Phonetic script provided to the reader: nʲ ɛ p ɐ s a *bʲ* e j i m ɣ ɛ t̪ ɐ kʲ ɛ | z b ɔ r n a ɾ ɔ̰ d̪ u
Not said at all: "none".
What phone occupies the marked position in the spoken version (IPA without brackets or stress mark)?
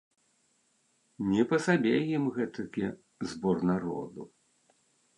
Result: bʲ